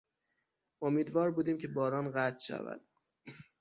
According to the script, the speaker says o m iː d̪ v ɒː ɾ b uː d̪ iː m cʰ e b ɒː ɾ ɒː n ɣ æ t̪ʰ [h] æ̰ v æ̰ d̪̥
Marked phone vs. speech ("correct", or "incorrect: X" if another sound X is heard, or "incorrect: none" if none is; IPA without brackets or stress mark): incorrect: ʃ